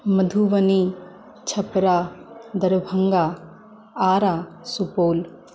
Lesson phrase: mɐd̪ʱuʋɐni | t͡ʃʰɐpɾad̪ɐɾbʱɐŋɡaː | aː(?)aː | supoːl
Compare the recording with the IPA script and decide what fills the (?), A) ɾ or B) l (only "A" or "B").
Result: A